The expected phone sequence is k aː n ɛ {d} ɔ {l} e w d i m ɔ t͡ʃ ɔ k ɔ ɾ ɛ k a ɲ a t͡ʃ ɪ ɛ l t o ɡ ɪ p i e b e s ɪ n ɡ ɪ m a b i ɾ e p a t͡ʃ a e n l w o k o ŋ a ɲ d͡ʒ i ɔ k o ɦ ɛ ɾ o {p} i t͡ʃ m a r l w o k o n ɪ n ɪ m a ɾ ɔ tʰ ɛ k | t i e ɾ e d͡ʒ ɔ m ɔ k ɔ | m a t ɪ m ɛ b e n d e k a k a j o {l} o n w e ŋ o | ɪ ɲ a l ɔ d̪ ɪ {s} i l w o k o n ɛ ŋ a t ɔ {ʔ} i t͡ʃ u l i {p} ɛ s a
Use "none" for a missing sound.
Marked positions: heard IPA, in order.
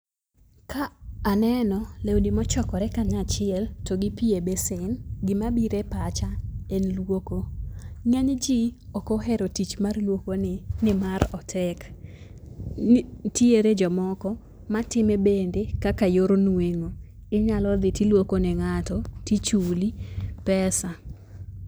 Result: n, l, t, ɾ, t, t, p

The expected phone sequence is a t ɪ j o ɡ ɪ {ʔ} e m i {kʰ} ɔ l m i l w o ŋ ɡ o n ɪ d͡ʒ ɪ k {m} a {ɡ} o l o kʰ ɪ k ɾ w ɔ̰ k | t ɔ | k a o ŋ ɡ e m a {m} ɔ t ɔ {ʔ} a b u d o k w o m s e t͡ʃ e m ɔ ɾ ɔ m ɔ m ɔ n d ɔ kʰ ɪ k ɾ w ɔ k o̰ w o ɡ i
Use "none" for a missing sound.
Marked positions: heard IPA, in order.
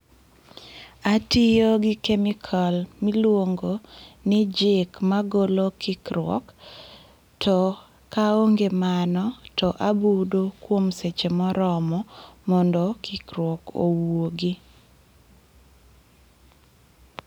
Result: k, kʰ, m, ɡ, n, ʔ

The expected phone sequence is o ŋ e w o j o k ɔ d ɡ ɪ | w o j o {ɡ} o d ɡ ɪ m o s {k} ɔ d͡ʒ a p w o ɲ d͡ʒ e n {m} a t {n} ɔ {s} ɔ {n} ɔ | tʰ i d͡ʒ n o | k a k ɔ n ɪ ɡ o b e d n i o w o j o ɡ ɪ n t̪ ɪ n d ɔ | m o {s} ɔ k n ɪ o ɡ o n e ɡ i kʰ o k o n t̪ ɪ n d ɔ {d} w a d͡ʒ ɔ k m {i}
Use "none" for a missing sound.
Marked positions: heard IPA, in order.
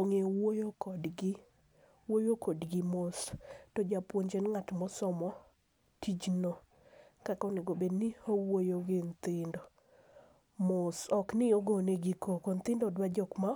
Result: k, t, ŋ, m, s, m, s, d, a

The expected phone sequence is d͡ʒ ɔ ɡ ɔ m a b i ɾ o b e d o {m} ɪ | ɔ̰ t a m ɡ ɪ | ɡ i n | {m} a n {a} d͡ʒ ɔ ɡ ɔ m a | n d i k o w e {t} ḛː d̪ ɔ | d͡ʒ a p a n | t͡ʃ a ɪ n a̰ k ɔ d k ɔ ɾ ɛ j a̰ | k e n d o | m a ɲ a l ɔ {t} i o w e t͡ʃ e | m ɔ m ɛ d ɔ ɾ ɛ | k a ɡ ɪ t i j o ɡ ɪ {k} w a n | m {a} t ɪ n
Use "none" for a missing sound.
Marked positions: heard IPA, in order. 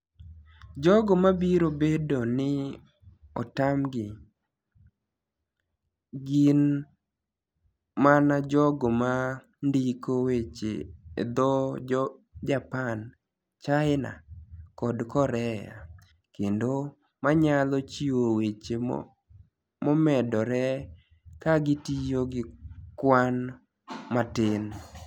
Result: n, m, a, t͡ʃ, t͡ʃ, k, a

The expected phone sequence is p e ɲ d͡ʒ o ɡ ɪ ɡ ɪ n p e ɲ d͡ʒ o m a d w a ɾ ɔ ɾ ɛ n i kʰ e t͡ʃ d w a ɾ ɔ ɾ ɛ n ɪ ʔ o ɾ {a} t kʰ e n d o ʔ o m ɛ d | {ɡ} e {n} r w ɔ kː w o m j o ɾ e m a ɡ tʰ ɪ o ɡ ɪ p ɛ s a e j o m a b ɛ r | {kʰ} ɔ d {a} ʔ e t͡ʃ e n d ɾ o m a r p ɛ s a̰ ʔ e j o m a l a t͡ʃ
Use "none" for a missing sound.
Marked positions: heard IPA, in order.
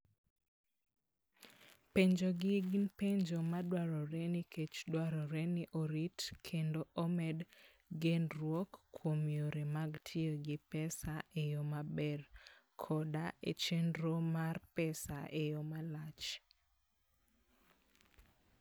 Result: i, ɡ, n, kʰ, a

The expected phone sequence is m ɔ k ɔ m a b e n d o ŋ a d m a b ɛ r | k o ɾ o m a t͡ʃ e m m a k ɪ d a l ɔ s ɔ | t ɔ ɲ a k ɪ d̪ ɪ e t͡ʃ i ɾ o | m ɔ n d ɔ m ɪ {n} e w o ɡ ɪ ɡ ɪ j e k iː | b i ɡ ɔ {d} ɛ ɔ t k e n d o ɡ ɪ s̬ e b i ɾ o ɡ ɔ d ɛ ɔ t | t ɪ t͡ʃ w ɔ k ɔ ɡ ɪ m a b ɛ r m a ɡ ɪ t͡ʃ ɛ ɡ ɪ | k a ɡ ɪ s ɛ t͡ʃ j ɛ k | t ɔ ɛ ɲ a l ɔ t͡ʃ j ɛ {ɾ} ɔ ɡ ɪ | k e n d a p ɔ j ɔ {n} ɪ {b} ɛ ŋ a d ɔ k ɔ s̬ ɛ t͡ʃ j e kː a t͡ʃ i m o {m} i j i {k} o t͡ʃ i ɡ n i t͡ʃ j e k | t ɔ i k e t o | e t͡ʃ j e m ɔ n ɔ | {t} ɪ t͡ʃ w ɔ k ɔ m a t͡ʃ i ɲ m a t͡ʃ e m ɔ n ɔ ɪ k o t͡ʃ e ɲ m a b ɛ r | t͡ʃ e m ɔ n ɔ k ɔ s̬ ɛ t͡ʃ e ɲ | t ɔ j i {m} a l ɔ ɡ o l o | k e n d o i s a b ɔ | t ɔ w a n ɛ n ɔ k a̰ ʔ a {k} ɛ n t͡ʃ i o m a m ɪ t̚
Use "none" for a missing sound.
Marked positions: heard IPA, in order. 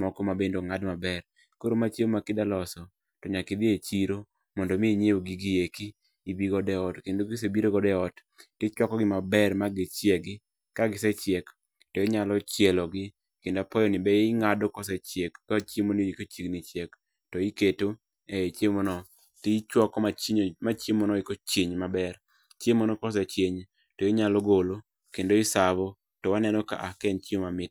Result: ɲ, d, l, n, b, n, k, t, ɲ, k

